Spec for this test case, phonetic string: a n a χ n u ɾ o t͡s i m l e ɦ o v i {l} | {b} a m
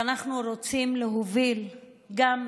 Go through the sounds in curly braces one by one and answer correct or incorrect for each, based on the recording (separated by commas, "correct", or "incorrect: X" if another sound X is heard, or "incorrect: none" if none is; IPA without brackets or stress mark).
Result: correct, incorrect: ɡ